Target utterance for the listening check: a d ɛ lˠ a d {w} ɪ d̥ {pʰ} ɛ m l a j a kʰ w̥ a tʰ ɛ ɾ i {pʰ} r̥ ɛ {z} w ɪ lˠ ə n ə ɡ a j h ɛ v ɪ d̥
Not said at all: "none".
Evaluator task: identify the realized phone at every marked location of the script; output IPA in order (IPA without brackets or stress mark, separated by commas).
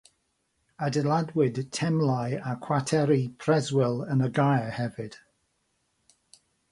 w, tʰ, pʰ, z